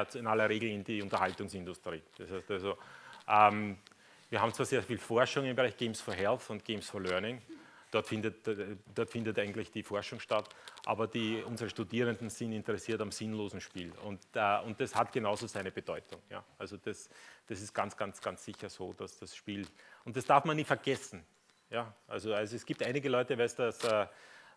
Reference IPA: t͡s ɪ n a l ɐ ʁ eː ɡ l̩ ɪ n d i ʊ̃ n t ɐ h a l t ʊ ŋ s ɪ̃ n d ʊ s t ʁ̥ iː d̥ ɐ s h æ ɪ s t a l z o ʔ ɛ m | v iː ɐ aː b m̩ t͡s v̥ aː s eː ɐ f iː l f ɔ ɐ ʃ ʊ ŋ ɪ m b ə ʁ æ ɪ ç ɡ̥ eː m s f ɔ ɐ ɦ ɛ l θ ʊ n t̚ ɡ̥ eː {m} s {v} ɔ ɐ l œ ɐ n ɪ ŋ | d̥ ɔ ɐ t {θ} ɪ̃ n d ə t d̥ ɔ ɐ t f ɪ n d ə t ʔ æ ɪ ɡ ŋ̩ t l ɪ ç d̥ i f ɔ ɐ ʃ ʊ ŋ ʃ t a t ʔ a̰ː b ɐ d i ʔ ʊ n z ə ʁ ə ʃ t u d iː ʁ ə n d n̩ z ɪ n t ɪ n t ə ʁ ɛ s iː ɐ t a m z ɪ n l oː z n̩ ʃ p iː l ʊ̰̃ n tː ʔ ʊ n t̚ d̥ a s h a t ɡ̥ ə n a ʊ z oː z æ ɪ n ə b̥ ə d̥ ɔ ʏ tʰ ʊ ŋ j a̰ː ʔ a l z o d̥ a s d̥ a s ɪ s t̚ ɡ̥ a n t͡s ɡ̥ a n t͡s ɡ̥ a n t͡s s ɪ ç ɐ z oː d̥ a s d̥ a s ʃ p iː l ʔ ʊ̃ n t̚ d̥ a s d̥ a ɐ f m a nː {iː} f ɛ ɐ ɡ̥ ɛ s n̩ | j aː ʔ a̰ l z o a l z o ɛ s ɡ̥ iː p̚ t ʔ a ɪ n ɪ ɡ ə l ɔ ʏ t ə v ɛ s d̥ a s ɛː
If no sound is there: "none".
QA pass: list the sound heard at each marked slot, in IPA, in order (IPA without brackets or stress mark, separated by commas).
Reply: m, f, f, iː